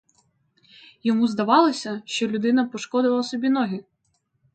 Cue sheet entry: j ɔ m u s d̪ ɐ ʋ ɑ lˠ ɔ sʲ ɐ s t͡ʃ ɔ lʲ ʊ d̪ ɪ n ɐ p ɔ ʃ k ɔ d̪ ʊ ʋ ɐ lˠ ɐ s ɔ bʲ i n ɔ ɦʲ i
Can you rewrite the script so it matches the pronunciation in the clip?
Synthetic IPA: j ɔ m u z d̪ ɐ ʋ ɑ lˠ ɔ sʲ ɐ ʃ t͡ʃ ɔ lʲ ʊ d̪ ɪ n ɐ p ɔ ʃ k ɔ d̪ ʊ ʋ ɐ lˠ ɐ s ɔ bʲ i n ɔ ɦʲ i